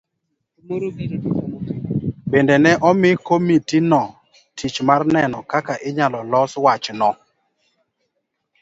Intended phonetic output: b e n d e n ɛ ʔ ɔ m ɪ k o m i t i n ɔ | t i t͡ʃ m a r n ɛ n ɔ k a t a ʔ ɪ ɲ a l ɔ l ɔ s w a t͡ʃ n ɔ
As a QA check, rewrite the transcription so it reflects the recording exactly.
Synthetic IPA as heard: b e n d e n ɛ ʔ ɔ m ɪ k o m i t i n ɔ | t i t͡ʃ m a r n ɛ n ɔ k a k a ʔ ɪ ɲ a l ɔ l ɔ s w a t͡ʃ n ɔ